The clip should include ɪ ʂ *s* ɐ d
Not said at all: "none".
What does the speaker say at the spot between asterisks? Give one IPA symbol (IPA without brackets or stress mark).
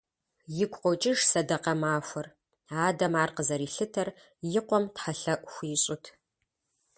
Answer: s